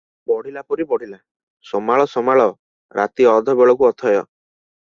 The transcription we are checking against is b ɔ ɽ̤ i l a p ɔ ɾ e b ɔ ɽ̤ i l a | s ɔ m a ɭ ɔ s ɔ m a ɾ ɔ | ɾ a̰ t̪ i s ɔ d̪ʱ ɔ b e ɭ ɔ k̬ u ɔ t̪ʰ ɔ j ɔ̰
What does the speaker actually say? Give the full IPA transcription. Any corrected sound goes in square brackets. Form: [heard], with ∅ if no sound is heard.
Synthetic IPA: b ɔ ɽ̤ i l a p ɔ ɾ [i] b ɔ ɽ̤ i l a | s ɔ m a ɭ ɔ s ɔ m a [ɭ] ɔ | ɾ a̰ t̪ i [∅] ɔ d̪ʱ ɔ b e ɭ ɔ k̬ u ɔ t̪ʰ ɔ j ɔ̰